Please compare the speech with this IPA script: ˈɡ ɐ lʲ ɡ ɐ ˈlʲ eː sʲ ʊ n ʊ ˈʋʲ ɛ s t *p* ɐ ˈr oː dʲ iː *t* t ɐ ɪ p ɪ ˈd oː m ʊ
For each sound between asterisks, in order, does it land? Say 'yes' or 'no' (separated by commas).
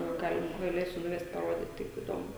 yes, yes